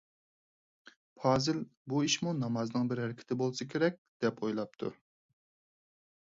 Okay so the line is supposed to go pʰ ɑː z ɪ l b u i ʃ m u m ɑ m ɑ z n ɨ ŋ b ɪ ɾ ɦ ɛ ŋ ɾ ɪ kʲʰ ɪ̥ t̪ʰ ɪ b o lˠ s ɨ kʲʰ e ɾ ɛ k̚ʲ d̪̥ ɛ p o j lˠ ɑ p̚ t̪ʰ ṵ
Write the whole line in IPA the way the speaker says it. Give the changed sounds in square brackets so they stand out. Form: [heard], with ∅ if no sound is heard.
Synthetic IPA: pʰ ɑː z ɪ l b u i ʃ m u [n] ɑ m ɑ z n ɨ ŋ b ɪ ɾ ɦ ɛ [∅] ɾ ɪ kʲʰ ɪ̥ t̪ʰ ɪ b o lˠ s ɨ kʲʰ e ɾ ɛ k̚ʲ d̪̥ ɛ p o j lˠ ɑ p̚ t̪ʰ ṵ